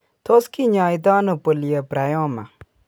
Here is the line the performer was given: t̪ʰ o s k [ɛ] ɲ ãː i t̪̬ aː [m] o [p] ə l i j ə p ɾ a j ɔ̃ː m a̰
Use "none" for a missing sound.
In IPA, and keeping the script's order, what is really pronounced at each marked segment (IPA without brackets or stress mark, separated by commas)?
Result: i, n, p